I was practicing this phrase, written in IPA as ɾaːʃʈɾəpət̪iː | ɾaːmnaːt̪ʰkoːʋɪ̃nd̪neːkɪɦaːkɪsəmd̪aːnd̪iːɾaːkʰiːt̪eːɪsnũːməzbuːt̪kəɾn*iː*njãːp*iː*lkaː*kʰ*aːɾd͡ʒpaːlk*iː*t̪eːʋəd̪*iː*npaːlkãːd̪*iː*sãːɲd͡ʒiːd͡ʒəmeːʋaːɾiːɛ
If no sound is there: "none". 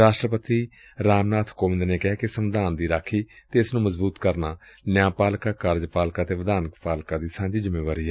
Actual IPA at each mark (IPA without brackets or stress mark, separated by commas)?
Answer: aː, aː, k, aː, aː, iː